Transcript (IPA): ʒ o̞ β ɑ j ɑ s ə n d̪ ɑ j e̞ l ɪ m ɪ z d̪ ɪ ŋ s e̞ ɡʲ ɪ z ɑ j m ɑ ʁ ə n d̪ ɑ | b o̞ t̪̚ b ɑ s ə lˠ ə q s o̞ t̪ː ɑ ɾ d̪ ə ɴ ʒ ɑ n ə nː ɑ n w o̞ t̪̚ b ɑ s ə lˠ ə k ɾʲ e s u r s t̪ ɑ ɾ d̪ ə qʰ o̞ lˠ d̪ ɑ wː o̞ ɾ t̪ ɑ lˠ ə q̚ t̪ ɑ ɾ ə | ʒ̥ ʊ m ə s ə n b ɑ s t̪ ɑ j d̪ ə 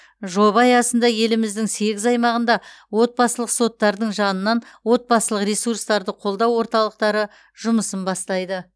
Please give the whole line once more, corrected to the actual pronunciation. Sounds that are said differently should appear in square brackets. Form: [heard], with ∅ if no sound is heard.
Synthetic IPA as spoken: ʒ o̞ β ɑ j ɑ s ə n d̪ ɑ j e̞ l ɪ m ɪ z d̪ ɪ ŋ s e̞ ɡʲ ɪ z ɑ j m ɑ ʁ ə n d̪ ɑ | [w] o̞ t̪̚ b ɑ s ə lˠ ə q s o̞ t̪ː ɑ ɾ d̪ ə ɴ ʒ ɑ n ə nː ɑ n w o̞ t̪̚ b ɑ s ə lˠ ə [q] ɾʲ e s u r s t̪ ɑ ɾ d̪ ə qʰ o̞ lˠ d̪ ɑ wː o̞ ɾ t̪ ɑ lˠ ə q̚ t̪ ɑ ɾ ə | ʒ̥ ʊ m ə s ə n b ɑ s t̪ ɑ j d̪ ə